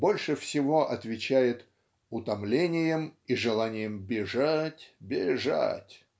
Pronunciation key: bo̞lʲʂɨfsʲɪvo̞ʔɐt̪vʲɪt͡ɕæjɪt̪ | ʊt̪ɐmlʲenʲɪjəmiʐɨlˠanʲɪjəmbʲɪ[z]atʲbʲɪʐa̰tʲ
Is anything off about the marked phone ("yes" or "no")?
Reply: yes